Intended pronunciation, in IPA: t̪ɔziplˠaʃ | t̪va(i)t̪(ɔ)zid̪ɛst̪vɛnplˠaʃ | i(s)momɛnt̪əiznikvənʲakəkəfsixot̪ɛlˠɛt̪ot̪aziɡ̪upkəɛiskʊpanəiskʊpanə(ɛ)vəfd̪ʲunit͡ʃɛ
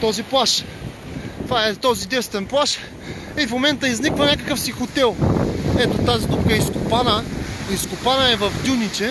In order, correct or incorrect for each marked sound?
incorrect, correct, incorrect, correct

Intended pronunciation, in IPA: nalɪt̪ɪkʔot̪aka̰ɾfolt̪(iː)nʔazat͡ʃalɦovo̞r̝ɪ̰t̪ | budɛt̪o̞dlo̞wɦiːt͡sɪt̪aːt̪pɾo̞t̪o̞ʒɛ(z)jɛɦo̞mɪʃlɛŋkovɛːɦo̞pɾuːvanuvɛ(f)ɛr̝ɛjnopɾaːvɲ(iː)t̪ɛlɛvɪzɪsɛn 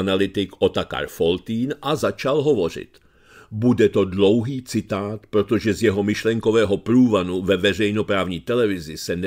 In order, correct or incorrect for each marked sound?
correct, correct, incorrect, correct

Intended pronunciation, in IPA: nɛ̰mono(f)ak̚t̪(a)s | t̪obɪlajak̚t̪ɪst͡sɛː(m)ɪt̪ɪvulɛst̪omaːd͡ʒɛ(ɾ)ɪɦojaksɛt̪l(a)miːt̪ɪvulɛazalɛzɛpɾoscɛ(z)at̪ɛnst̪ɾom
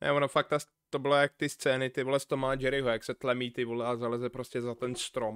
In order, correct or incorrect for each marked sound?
correct, correct, incorrect, correct, incorrect, correct

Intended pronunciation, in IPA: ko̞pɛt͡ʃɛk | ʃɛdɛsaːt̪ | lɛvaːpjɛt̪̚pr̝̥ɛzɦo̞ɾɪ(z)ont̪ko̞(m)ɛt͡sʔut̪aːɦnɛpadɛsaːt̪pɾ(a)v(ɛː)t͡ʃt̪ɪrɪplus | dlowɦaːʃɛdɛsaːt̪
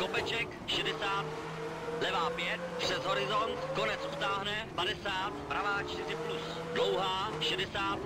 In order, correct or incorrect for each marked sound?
correct, incorrect, correct, incorrect

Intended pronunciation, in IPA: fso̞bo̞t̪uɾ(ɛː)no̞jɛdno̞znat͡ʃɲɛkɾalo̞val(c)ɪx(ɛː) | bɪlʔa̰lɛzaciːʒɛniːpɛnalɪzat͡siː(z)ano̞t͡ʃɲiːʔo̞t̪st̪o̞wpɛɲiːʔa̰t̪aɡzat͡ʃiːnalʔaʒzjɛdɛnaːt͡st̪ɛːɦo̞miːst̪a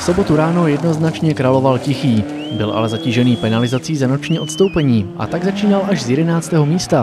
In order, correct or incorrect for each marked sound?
incorrect, correct, incorrect, correct

